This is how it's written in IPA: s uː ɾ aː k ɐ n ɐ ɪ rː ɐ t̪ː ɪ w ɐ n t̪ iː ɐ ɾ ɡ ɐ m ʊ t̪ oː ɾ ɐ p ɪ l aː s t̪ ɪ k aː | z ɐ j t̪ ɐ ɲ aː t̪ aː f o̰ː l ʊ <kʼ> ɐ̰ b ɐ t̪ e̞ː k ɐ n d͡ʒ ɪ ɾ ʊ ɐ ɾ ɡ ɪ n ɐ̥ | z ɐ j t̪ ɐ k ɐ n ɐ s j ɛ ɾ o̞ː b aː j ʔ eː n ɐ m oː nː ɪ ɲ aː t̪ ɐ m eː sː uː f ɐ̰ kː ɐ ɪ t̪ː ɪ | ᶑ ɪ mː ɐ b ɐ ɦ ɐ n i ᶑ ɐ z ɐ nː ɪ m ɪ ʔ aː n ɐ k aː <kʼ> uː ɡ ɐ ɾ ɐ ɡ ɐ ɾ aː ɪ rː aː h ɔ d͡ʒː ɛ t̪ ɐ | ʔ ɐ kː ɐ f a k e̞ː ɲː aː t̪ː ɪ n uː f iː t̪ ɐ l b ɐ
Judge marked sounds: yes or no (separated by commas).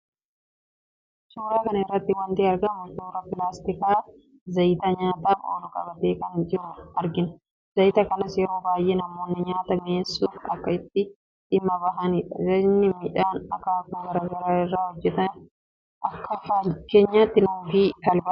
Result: yes, no